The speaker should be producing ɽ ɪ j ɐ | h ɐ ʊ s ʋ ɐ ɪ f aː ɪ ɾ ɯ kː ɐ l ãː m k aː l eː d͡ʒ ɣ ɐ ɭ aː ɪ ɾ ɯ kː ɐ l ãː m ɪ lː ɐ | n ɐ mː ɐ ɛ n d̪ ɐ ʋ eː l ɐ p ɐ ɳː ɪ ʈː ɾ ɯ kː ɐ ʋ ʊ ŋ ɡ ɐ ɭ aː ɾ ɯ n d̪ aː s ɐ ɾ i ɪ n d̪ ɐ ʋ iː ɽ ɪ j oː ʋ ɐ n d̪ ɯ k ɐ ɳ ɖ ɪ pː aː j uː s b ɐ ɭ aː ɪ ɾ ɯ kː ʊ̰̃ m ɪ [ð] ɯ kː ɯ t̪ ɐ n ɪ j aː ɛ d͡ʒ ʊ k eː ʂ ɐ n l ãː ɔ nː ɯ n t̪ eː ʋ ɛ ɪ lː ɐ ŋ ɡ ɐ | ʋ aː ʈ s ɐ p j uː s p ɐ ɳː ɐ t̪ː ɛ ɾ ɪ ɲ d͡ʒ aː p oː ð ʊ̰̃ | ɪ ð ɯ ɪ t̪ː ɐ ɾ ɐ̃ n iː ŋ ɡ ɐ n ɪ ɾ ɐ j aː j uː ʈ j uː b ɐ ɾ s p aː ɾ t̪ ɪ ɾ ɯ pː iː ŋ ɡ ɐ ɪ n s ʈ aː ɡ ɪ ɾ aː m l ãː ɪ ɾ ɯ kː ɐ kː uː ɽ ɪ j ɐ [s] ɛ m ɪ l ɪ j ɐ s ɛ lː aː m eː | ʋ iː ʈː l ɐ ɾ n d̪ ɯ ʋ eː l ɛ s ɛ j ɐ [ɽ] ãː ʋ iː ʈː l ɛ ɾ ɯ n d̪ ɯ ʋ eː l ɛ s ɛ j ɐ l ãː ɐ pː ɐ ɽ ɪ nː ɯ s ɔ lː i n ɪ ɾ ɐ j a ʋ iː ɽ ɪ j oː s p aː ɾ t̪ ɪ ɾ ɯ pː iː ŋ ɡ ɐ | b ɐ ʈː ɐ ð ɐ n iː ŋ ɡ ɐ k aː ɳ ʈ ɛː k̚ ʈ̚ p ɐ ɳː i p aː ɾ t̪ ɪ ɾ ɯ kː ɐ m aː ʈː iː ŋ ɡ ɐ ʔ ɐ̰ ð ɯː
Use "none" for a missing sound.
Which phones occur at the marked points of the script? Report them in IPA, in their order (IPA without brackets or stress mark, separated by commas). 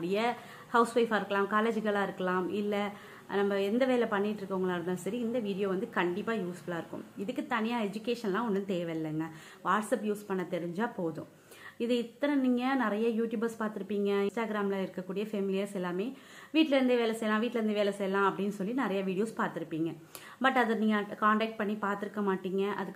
ð, f, l